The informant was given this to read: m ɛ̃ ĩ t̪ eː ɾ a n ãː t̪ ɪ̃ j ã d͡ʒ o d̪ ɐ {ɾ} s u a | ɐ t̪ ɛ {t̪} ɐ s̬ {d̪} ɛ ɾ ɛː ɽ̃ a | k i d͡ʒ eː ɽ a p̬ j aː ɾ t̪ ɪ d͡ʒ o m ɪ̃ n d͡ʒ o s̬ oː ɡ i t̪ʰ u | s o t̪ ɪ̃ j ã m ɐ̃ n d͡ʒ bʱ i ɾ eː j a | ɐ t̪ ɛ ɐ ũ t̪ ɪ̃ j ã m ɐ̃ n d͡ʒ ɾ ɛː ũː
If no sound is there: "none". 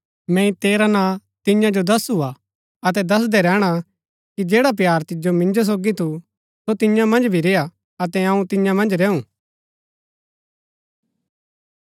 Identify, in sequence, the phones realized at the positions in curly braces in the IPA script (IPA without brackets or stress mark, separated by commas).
none, d̪, d̪